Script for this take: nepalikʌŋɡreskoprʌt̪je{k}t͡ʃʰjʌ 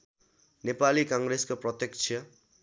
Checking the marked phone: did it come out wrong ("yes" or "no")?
no